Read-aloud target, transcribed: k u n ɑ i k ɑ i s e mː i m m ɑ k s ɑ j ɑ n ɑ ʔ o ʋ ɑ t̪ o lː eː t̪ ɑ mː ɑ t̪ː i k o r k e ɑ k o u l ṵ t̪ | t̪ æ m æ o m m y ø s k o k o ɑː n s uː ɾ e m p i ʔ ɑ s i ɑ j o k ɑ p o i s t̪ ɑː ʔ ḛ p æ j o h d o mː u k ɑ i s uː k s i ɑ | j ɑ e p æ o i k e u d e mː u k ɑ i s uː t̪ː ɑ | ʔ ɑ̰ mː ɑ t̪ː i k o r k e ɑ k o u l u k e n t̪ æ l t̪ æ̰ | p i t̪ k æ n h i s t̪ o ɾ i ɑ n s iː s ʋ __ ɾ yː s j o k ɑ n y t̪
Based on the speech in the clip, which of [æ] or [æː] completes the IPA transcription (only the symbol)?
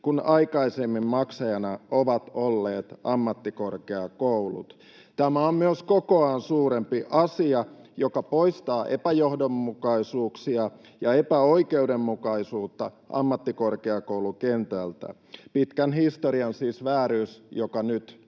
æː